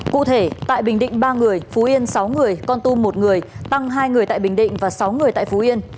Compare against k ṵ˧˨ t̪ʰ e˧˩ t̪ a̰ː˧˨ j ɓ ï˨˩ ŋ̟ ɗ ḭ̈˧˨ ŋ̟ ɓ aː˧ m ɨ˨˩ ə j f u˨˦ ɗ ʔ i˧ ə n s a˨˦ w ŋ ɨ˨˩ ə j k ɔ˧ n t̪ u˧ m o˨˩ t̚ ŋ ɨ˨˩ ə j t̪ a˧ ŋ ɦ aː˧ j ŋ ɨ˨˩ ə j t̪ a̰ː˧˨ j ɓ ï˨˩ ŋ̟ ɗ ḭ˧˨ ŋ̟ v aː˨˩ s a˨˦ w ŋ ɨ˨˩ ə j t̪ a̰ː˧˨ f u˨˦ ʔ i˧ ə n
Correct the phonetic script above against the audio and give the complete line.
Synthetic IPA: k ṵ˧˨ t̪ʰ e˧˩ t̪ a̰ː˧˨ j ɓ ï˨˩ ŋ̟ ɗ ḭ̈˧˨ ŋ̟ ɓ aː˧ ŋ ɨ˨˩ ə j f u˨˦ ʔ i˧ ə n s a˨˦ w ŋ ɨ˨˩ ə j k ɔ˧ n t̪ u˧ m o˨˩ t̚ ŋ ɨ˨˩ ə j t̪ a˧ ŋ ɦ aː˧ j ŋ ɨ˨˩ ə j t̪ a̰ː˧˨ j ɓ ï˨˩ ŋ̟ ɗ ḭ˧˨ ŋ̟ v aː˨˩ s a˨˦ w ŋ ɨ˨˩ ə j t̪ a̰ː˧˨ f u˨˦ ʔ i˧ ə n